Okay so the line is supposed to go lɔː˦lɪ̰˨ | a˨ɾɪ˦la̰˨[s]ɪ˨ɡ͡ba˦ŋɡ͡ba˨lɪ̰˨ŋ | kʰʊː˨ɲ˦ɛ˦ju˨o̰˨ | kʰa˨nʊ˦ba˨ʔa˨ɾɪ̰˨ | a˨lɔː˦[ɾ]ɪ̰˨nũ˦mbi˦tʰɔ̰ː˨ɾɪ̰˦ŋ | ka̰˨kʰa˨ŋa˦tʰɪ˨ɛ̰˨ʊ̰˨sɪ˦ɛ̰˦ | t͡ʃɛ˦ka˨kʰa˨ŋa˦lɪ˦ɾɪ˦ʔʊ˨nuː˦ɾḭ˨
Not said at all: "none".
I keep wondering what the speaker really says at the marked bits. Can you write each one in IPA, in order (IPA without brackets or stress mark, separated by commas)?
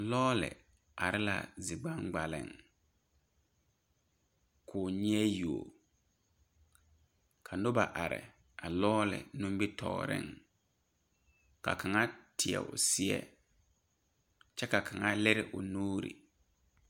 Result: z, l